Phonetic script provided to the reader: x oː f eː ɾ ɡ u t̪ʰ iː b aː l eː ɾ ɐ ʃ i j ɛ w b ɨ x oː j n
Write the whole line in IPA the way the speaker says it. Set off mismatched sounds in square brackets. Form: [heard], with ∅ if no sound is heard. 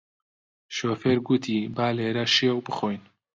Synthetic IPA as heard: [ʃ] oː f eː ɾ ɡ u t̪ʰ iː b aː l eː ɾ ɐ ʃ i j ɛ w b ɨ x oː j n